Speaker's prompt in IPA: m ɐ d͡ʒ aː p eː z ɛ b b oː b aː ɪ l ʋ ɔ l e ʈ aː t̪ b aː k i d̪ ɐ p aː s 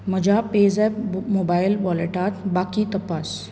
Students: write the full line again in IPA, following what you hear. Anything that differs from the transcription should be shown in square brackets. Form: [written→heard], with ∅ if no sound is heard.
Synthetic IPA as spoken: m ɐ d͡ʒ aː p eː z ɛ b [b→m] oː b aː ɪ l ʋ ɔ l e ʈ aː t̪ b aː k i [d̪→t̪] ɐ p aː s